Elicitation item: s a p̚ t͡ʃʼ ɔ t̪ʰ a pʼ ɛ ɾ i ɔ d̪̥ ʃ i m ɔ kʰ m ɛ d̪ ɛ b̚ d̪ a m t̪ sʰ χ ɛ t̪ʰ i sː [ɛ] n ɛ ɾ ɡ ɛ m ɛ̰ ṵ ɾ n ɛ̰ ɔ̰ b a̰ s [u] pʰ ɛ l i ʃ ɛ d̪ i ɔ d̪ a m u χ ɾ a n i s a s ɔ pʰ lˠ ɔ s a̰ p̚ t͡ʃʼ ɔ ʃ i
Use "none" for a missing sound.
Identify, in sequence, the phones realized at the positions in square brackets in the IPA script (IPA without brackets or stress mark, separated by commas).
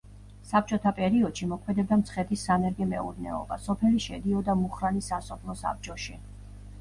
a, ɔ